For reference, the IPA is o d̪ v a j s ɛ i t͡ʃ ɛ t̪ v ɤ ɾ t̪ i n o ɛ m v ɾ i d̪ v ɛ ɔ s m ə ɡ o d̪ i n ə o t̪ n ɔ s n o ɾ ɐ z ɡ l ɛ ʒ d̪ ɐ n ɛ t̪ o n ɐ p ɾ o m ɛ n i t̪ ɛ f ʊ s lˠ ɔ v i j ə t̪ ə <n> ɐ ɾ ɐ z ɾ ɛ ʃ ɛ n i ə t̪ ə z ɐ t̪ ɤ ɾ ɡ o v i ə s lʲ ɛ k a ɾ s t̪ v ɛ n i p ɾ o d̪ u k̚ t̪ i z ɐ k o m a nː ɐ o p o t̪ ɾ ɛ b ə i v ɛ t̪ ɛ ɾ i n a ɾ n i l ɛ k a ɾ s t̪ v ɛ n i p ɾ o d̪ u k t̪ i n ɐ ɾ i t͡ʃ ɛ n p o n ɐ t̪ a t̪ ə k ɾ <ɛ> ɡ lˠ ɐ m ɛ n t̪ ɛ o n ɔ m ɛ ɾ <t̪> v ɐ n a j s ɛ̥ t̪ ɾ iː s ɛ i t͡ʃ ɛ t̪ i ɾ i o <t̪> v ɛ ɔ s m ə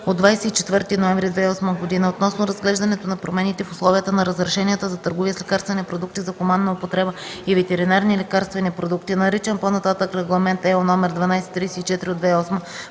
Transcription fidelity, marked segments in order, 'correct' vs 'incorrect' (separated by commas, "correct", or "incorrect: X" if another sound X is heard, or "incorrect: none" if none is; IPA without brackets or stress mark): correct, correct, incorrect: d̪, incorrect: d̪